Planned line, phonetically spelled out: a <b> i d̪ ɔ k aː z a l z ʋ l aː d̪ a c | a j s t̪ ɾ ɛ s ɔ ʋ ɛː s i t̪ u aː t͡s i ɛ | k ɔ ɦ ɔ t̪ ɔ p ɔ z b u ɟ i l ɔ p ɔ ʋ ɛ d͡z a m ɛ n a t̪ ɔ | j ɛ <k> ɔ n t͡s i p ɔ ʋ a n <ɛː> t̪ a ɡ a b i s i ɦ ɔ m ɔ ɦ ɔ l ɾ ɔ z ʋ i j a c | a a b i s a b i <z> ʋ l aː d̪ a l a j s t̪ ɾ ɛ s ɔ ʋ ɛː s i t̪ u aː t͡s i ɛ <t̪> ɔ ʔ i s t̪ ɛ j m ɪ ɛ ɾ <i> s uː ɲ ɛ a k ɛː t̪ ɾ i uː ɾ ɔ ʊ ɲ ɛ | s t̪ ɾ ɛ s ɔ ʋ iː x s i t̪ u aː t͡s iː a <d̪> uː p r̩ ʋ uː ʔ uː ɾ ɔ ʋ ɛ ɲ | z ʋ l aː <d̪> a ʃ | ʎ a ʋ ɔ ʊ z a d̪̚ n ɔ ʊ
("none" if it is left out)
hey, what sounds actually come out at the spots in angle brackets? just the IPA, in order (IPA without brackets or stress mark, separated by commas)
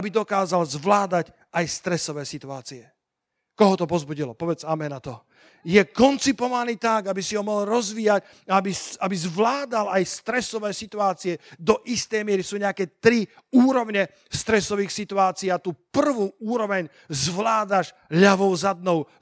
b, k, iː, z, d̪, i, t̪, d̪